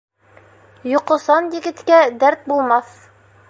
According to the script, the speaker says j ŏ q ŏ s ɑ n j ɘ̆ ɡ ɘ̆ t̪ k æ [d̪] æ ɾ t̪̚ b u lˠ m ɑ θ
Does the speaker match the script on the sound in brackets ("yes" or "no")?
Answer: yes